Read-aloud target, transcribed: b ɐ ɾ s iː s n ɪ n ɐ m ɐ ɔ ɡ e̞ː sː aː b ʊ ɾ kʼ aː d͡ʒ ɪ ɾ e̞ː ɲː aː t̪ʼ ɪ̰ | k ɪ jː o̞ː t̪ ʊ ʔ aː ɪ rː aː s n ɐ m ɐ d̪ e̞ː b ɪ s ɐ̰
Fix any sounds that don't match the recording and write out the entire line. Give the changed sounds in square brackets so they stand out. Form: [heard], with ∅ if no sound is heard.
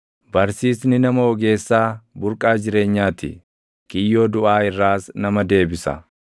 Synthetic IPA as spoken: b ɐ ɾ s iː s n ɪ n ɐ m ɐ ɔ ɡ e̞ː sː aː b ʊ ɾ kʼ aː d͡ʒ ɪ ɾ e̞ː ɲː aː [t̪] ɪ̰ | k ɪ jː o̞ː [d̪] ʊ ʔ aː ɪ rː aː s n ɐ m ɐ d̪ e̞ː b ɪ s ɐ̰